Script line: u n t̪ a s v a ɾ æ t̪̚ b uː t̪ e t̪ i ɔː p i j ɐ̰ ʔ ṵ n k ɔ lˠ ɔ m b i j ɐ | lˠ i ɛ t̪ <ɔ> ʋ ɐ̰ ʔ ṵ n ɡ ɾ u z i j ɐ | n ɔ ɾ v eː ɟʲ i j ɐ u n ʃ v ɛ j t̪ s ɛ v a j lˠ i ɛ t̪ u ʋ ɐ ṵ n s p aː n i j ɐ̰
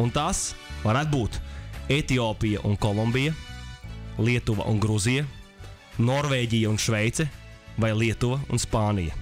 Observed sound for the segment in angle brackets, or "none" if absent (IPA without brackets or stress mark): u